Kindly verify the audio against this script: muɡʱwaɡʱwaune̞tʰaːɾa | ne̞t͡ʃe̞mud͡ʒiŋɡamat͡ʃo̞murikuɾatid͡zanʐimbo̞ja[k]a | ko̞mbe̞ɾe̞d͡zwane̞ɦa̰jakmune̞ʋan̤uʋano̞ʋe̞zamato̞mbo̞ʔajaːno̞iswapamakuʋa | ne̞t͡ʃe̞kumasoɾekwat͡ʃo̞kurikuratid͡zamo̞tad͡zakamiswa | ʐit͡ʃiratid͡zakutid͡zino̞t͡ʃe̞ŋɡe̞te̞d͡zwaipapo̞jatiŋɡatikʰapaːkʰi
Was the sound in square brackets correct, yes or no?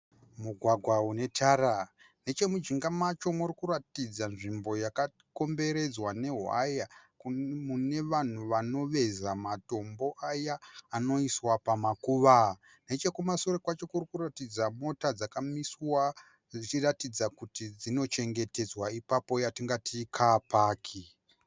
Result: yes